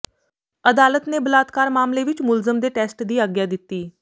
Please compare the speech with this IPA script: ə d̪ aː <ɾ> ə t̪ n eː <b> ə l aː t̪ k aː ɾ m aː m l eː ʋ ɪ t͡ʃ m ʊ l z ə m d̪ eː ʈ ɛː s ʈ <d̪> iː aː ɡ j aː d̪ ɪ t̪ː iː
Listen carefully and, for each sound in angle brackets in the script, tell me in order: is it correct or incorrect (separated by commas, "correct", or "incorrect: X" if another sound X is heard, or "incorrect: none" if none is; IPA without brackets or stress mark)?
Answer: incorrect: l, correct, correct